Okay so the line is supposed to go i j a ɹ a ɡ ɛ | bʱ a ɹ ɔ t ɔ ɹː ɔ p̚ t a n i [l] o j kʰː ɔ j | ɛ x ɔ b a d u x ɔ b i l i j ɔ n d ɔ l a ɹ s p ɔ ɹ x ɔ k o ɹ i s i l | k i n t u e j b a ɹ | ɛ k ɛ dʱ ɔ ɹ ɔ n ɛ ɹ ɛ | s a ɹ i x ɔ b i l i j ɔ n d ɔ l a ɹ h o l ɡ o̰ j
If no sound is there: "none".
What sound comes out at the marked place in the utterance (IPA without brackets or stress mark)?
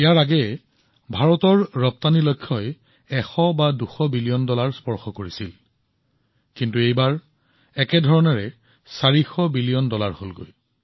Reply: l